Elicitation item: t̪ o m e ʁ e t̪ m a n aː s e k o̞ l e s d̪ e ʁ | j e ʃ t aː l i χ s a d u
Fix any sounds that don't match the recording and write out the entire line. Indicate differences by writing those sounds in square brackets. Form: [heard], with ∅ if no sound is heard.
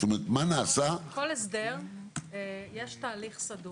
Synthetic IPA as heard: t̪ o m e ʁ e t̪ m a n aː s [a] k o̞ l e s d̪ e ʁ | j e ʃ t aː l i χ s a d u

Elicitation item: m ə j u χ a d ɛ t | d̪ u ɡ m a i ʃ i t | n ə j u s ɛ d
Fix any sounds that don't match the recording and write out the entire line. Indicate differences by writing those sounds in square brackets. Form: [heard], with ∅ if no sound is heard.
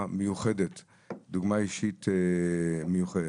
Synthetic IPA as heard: m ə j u χ [ɛ] d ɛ t | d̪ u ɡ m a i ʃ i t | [m] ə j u [χ] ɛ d

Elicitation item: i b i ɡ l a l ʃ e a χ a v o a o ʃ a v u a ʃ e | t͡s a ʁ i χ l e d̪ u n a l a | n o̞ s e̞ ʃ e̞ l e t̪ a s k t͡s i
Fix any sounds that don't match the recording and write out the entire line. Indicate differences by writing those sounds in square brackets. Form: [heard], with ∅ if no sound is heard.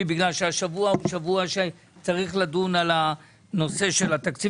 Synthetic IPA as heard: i b i ɡ l a l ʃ e a [ʃ] a v [u] a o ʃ a v u a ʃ e | t͡s a ʁ i χ l [a] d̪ u n a l a | n o̞ s e̞ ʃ e̞ l [a] t̪ a [∅] k t͡s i

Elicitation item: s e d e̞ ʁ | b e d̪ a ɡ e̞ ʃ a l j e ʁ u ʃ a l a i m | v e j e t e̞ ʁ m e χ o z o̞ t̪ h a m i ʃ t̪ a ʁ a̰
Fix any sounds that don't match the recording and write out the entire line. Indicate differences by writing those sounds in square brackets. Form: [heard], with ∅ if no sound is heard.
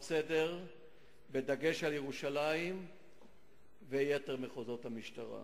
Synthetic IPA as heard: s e d e̞ ʁ | b e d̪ a ɡ e̞ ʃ a l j e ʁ u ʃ a l a i m | v e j e t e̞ ʁ m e χ o z o̞ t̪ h a m i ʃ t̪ a ʁ a̰

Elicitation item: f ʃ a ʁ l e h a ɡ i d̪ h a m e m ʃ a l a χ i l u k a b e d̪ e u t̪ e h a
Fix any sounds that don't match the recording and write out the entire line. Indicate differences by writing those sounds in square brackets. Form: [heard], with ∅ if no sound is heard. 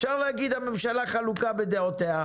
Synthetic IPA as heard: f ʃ a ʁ l e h a ɡ i d̪ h a m e m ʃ a l a χ [a] l u k a b e d̪ e [o] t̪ e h a

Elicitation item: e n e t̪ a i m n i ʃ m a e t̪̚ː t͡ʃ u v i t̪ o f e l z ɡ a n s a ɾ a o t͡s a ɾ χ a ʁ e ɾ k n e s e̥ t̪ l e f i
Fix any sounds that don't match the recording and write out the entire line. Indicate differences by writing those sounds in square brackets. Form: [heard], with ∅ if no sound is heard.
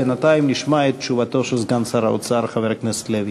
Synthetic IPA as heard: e n [a] t̪ a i m n i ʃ m a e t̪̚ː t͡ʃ u v [a] t̪ o [ʃ] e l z ɡ a n s a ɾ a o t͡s a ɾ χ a [v] e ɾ k n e s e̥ t̪ l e [v] i

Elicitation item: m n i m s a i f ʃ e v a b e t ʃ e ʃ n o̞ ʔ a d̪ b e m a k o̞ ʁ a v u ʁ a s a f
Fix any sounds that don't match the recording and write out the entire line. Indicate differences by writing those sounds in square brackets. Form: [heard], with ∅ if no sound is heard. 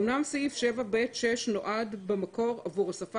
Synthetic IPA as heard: m n [a] m s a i f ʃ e v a b e t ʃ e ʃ n o̞ ʔ a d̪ b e m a k o̞ ʁ a v u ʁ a s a f

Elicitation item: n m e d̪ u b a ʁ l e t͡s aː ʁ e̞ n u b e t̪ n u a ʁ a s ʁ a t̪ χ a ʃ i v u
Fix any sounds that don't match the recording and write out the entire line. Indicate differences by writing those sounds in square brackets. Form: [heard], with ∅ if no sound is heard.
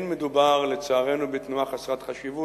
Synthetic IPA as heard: n m e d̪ u b a ʁ l e t͡s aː ʁ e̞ n u b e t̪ n u a [χ] a s ʁ a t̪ χ a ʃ i v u

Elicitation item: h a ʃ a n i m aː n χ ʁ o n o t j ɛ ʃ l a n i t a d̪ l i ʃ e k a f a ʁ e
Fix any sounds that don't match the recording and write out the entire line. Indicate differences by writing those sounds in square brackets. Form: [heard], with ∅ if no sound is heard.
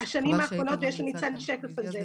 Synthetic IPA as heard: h a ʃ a n i m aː [∅] χ ʁ o n o t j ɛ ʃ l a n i [t͡s] a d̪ l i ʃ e k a f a [z] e

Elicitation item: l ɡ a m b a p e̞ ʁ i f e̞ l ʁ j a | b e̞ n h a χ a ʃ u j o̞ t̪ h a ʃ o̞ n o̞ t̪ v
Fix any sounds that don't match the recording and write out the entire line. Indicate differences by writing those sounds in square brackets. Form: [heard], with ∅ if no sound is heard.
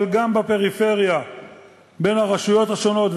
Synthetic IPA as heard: l ɡ a m b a p e̞ ʁ i f e̞ [∅] ʁ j a | b e̞ n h a [ʁ] a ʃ u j o̞ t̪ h a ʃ o̞ n o̞ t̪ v

